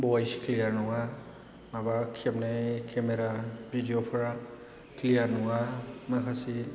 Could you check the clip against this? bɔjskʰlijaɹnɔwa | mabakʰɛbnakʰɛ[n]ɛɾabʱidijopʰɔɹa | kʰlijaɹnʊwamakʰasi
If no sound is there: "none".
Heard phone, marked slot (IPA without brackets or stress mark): m